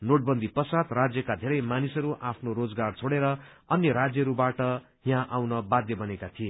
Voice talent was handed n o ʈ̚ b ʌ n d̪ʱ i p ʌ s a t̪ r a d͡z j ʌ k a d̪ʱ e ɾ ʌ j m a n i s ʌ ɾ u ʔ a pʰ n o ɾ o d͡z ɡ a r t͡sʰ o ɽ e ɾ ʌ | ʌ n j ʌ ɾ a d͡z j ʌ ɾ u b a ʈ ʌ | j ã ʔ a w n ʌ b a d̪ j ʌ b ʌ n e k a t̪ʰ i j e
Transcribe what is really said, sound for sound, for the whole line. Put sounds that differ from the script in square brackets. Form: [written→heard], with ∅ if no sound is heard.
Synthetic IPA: n o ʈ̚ b ʌ n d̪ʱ i p ʌ s a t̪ r a d͡z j ʌ k a d̪ʱ e ɾ ʌ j m a n i s ʌ ɾ u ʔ a pʰ n o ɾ o d͡z ɡ a r t͡sʰ o ɽ e ɾ ʌ | ʌ n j ʌ ɾ a d͡z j ʌ ɾ u b a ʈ ʌ | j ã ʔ a w n ʌ b a d̪ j ʌ b ʌ n e k a t̪ʰ i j e